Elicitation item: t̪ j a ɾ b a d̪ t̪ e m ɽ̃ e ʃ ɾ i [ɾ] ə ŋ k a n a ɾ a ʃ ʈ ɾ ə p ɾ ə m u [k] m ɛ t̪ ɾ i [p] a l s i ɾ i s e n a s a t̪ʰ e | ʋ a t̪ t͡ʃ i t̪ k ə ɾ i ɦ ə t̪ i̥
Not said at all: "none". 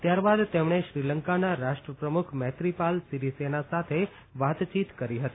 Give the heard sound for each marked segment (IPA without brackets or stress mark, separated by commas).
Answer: l, kʰ, p